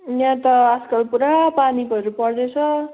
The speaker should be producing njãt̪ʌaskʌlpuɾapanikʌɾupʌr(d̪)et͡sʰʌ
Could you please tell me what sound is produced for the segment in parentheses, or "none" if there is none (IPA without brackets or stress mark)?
d̪